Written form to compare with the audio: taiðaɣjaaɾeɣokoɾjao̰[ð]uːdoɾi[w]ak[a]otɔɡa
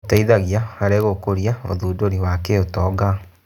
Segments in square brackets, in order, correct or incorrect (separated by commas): correct, correct, incorrect